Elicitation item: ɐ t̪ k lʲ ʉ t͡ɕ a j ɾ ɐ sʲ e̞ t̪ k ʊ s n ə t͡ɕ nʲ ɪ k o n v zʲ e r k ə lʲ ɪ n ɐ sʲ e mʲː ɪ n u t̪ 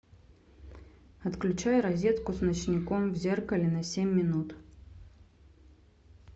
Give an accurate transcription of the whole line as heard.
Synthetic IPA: ɐ t̪ k lʲ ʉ t͡ɕ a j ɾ ɐ zʲ e̞ t̪ k ʊ s n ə t͡ɕ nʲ ɪ k o m v zʲ e r k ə lʲ ɪ n ɐ sʲ e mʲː ɪ n u t̪